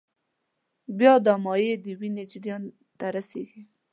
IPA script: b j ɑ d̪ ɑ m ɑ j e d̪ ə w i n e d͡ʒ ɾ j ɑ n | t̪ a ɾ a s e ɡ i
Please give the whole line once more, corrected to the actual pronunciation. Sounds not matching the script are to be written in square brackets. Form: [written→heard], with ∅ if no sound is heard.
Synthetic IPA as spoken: b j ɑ d̪ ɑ m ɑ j e d̪ ə w i n e d͡ʒ ɾ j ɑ n | t̪ a ɾ a s e ɡ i